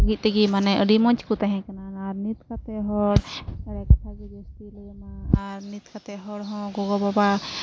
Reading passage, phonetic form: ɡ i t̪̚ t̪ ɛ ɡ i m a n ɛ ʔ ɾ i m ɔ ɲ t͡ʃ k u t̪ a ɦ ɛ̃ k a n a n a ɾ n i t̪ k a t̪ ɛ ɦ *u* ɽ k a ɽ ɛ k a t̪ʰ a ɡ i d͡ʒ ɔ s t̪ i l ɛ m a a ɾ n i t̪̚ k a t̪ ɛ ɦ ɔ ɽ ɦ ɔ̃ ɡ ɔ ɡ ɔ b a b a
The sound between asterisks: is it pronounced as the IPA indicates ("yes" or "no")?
no